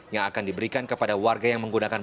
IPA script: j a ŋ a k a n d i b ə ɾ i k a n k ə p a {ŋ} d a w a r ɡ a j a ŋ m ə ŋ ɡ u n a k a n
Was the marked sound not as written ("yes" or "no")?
yes